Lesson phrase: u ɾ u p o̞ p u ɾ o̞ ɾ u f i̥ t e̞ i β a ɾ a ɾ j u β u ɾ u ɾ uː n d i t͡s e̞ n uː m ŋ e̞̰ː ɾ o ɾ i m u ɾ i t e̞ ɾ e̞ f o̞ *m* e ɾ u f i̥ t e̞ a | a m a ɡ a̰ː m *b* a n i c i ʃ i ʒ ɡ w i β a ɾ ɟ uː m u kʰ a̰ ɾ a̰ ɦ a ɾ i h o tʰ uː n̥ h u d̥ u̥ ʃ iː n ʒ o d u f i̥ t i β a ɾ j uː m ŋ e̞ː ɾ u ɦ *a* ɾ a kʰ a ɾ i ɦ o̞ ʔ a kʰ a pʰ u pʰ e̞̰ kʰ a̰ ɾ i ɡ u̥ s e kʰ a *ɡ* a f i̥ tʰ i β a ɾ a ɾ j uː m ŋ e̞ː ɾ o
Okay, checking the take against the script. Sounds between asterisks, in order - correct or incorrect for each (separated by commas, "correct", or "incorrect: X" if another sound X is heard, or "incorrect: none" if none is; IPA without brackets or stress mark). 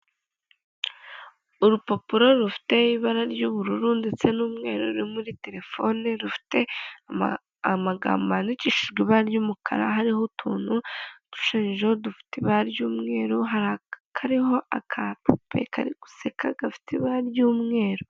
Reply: incorrect: n, correct, correct, correct